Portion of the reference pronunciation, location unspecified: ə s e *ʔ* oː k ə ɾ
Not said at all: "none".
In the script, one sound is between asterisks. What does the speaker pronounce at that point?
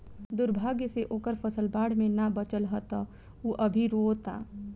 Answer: ʔ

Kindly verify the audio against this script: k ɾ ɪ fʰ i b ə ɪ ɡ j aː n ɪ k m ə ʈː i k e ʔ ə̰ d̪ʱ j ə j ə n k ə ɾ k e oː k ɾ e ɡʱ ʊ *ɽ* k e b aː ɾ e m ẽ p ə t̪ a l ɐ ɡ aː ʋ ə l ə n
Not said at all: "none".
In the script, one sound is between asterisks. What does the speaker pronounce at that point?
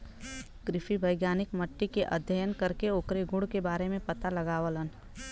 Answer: ɽ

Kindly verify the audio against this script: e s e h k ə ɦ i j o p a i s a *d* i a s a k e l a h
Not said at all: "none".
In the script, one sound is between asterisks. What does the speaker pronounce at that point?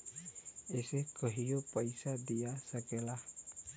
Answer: d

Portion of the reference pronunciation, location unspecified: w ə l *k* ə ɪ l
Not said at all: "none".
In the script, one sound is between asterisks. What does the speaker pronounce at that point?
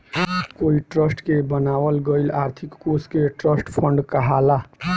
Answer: ɡ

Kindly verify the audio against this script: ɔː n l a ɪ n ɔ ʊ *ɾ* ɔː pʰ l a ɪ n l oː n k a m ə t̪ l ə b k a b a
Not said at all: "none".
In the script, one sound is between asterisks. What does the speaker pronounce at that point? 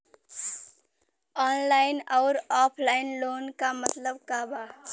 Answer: ɾ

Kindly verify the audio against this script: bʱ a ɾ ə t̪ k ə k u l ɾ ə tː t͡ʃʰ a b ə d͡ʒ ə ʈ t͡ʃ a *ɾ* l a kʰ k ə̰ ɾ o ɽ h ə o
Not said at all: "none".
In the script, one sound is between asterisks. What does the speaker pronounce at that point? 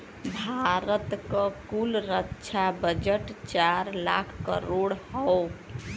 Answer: ɾ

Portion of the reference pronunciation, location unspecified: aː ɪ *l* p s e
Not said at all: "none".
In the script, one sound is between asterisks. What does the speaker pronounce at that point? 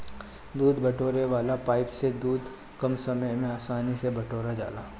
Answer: none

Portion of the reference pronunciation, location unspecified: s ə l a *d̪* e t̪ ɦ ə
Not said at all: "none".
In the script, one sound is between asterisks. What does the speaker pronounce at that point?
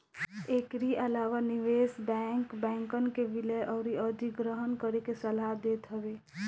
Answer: d̪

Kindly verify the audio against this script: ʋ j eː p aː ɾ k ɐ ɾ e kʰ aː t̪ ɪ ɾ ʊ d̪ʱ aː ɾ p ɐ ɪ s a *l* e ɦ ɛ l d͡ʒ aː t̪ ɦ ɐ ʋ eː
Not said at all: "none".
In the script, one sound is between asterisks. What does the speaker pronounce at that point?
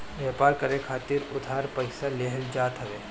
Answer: l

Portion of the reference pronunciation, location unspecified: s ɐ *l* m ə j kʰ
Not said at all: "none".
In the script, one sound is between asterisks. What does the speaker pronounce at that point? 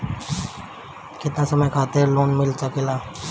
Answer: none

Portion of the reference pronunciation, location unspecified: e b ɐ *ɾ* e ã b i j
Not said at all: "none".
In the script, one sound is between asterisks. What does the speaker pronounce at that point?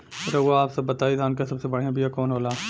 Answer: ɽ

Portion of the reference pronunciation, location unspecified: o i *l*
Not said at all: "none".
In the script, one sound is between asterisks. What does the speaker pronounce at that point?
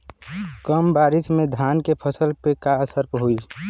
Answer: none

